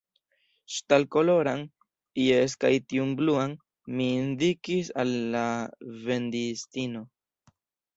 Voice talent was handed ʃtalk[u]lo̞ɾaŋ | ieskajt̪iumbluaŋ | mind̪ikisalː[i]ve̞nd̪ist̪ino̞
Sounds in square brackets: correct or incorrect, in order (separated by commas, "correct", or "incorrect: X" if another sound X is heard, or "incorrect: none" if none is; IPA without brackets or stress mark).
incorrect: o, incorrect: a